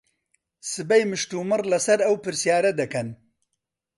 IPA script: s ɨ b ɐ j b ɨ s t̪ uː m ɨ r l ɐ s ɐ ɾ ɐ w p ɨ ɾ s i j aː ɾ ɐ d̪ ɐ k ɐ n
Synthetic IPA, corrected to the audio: s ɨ b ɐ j m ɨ ʃ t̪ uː m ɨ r l ɐ s ɐ ɾ ɐ w p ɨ ɾ s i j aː ɾ ɐ d̪ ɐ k ɐ n